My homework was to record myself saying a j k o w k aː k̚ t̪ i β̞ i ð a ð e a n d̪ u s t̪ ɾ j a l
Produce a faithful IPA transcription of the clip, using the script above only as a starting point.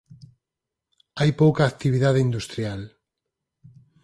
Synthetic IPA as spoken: a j p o w k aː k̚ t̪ i β̞ i ð a ð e i n d̪ u s t̪ ɾ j a l